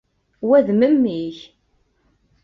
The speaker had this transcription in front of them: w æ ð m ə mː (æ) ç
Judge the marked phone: incorrect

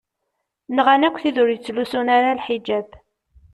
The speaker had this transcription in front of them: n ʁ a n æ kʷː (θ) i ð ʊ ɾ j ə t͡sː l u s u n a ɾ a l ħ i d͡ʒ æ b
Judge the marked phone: correct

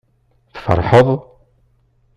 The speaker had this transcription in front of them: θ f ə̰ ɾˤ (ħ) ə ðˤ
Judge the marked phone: correct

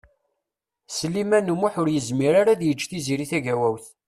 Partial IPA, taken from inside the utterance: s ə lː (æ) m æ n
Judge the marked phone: incorrect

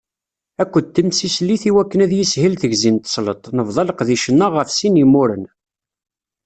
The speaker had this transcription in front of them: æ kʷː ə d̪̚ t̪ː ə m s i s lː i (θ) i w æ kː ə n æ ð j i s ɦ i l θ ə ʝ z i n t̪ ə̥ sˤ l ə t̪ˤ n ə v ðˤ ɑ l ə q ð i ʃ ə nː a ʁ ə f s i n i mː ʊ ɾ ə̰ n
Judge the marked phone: correct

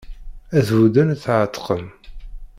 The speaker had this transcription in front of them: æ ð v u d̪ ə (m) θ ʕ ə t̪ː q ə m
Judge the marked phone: incorrect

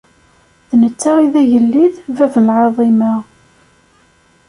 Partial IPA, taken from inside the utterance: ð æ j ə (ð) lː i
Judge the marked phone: incorrect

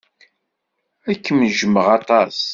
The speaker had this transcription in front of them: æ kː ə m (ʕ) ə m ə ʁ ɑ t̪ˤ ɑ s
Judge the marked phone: incorrect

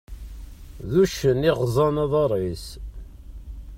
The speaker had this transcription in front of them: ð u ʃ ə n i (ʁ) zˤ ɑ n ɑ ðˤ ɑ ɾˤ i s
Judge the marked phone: correct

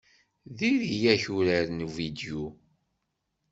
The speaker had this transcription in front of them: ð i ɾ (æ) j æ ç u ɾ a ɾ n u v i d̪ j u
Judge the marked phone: incorrect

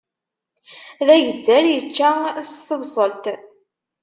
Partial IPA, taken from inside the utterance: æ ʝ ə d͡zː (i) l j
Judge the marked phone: incorrect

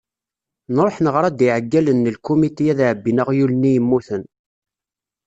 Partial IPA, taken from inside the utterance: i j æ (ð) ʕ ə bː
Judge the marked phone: correct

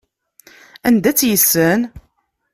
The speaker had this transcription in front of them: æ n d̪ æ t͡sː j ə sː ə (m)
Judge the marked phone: incorrect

